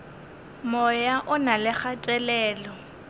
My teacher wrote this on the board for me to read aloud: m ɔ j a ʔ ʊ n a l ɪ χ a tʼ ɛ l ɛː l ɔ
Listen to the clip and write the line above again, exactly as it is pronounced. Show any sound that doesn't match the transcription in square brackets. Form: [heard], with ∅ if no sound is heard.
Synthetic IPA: m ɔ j a ʔ ʊ n a l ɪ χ a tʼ ɛ l ɛː l ɔ